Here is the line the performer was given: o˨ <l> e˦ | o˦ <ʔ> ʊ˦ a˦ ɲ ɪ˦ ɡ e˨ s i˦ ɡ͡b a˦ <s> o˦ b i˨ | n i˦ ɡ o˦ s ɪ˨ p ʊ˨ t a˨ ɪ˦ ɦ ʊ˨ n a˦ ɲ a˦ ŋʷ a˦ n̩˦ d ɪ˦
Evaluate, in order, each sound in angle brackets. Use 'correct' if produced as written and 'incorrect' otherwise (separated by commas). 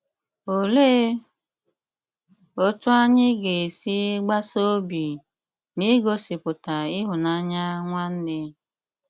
correct, incorrect, correct